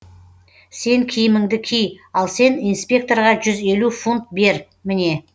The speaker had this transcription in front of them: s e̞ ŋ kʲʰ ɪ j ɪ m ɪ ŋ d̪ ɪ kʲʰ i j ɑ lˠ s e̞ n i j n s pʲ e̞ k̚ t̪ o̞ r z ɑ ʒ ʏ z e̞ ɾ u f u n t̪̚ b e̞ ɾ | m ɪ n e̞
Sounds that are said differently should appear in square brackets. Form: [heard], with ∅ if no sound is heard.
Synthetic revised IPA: s e̞ ŋ kʲʰ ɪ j ɪ m ɪ ŋ d̪ ɪ kʲʰ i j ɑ lˠ s e̞ n i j n s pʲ e̞ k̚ t̪ o̞ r [ʁ] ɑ ʒ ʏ z e̞ [l] u f u n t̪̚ b e̞ ɾ | m ɪ n e̞